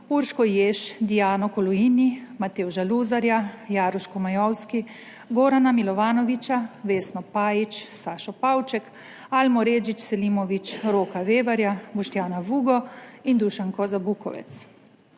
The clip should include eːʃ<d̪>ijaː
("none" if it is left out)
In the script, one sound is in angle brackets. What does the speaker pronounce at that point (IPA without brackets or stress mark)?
d̪